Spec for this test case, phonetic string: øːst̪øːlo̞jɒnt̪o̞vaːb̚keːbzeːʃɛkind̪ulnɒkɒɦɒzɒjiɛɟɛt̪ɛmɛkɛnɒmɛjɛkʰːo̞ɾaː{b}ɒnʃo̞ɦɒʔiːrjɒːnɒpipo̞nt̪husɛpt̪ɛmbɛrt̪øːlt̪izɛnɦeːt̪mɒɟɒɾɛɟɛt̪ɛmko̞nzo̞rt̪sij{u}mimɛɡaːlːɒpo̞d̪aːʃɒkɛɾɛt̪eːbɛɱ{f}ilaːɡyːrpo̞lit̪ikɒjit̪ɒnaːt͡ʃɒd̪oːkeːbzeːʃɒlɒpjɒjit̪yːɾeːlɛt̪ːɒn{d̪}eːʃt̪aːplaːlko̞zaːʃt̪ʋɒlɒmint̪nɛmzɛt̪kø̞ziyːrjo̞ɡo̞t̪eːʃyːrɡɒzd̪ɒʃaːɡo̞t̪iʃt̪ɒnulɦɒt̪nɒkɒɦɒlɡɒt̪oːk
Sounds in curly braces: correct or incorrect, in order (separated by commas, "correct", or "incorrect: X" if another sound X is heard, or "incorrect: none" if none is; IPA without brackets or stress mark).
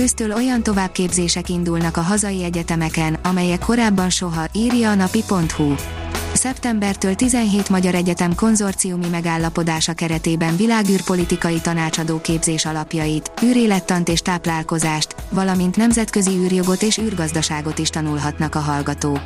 incorrect: bː, correct, incorrect: v, incorrect: t̪